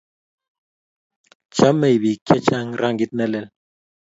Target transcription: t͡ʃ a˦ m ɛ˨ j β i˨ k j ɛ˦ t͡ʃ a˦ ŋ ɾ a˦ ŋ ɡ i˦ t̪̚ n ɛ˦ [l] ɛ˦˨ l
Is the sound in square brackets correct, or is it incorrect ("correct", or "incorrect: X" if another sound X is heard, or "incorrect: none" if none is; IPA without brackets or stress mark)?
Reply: correct